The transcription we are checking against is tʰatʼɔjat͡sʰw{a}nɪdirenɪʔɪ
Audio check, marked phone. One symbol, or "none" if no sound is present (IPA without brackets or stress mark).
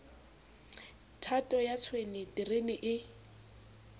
e